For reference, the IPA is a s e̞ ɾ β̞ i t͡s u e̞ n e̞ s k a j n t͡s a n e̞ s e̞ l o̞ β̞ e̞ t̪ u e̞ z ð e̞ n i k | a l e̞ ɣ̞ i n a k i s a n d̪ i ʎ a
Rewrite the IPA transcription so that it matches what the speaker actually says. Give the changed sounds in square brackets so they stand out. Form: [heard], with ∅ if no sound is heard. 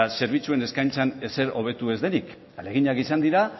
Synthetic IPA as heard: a s e̞ ɾ β̞ i t͡s u e̞ n e̞ s k a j n t͡s a n e̞ s e̞ [ɾ] o̞ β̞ e̞ t̪ u e̞ z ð e̞ n i k | a l e̞ ɣ̞ i [ɲ] a k i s a n d̪ i [ɾ] a